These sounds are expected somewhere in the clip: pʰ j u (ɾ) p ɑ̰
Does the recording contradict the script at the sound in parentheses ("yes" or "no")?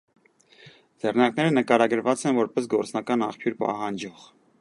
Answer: no